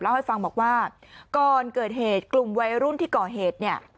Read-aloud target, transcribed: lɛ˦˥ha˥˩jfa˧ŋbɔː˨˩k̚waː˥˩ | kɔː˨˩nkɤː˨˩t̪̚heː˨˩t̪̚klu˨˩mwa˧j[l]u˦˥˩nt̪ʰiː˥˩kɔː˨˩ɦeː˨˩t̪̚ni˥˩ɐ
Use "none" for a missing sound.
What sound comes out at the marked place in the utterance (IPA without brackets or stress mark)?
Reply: ɾ